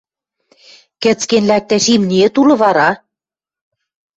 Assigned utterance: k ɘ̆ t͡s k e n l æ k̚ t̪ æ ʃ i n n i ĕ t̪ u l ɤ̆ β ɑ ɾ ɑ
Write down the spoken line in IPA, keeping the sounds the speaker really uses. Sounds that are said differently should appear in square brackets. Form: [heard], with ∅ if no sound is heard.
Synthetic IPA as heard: k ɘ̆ t͡s k e n l æ k̚ t̪ æ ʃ i [m] n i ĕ t̪ u l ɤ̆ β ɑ ɾ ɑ